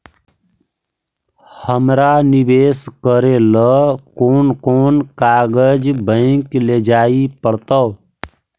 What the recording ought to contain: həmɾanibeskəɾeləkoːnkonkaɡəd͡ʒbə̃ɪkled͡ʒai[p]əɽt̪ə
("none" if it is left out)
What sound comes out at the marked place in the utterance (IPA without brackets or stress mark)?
p